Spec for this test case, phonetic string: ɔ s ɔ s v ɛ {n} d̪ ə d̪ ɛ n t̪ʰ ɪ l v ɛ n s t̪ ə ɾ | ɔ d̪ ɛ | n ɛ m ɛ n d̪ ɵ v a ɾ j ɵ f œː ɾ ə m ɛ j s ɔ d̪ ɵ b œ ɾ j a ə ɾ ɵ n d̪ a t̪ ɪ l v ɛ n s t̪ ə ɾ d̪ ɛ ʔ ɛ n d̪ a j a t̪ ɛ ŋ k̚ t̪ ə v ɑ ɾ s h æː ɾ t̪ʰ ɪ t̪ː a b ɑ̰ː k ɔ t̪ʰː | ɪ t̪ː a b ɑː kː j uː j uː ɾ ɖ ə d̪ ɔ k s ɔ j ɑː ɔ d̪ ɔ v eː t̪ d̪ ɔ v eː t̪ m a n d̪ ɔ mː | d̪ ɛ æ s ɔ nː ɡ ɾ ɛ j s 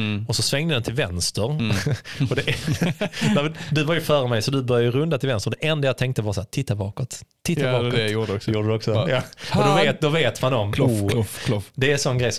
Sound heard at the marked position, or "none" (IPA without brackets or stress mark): ŋ